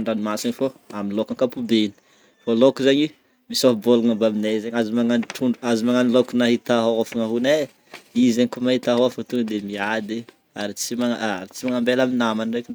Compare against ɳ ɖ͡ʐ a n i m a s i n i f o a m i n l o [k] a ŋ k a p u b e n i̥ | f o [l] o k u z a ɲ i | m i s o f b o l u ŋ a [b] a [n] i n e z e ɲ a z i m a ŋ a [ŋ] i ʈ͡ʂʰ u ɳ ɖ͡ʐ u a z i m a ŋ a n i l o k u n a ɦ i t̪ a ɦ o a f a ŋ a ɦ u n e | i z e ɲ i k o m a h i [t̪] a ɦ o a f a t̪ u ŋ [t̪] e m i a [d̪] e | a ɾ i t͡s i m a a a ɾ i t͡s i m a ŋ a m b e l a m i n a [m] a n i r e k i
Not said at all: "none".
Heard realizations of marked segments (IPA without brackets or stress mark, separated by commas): k, l, b, m, n, t̪, d̪, d̪, m